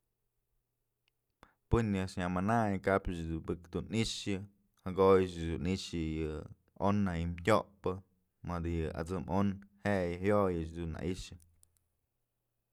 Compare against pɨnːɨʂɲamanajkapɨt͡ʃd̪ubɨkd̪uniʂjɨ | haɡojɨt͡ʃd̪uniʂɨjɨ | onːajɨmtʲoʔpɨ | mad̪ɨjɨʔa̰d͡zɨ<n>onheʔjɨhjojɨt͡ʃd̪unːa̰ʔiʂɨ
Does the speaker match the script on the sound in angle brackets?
no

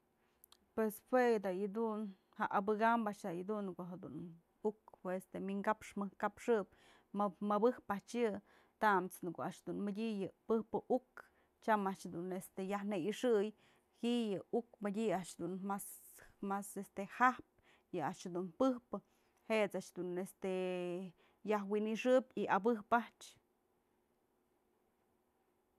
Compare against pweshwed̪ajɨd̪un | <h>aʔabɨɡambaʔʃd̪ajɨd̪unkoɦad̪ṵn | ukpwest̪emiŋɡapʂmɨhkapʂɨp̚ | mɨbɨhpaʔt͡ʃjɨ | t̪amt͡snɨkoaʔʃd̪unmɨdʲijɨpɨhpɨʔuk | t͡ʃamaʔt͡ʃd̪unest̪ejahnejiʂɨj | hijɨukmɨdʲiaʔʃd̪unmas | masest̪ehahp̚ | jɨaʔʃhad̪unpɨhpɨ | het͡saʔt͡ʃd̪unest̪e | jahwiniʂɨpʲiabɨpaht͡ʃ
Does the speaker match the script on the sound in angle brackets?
yes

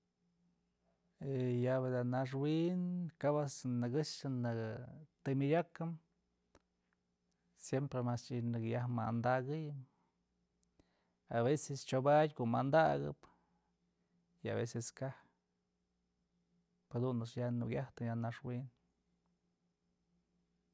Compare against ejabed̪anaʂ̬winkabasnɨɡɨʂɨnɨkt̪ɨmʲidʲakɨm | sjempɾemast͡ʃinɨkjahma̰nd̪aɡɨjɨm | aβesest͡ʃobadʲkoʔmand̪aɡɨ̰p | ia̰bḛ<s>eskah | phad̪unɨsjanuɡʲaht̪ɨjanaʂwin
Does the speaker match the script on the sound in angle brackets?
yes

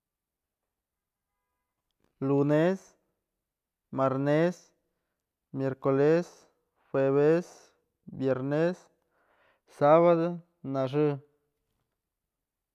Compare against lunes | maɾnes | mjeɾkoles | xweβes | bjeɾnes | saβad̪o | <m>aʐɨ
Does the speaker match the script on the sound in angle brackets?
no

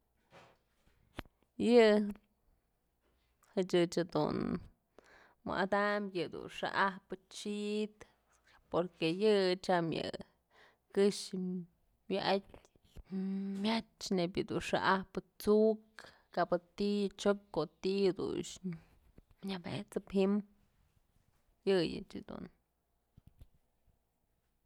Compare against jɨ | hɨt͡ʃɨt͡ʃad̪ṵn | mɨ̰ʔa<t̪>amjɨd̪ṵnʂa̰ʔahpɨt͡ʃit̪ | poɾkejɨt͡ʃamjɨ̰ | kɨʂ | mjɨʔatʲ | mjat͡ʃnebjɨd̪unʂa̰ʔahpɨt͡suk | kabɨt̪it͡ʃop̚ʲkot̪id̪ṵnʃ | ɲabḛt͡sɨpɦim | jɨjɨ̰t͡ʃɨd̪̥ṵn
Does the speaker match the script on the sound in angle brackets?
no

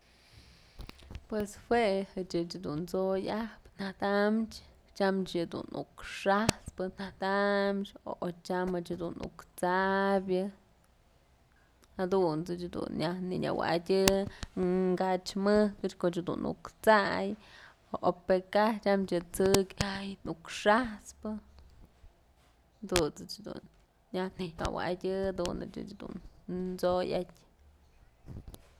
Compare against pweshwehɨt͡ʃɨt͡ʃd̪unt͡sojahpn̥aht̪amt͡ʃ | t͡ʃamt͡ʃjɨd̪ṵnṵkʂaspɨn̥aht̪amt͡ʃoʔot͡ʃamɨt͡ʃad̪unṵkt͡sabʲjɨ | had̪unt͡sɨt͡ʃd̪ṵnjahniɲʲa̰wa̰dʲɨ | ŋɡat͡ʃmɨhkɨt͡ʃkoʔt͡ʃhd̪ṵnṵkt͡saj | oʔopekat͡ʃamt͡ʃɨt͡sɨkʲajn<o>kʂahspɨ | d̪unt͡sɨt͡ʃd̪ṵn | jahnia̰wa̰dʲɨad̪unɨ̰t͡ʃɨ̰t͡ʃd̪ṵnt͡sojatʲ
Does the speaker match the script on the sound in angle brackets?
no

